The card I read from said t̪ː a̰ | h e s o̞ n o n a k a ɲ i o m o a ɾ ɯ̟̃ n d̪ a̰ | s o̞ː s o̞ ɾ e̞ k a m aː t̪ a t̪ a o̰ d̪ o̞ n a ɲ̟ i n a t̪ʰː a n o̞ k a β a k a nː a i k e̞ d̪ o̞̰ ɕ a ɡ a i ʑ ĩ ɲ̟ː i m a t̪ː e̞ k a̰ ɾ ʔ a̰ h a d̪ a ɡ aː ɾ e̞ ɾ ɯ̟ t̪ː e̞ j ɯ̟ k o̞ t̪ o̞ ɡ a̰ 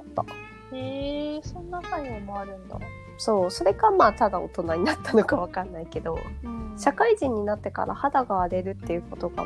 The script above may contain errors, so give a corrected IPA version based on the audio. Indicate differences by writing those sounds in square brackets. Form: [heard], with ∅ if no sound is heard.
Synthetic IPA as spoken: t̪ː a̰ | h e s o̞ n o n a k a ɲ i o m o a ɾ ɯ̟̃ n d̪ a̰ | s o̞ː s o̞ ɾ e̞ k a m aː t̪ a [d̪] a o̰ [t̪] o̞ n a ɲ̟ i n a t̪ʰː a n o̞ k a β a k a nː a i k e̞ d̪ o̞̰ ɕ a [k] a i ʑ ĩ ɲ̟ː i [n] a t̪ː e̞ k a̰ ɾ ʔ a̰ h a d̪ a ɡ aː ɾ e̞ ɾ ɯ̟ t̪ː e̞ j ɯ̟ k o̞ t̪ o̞ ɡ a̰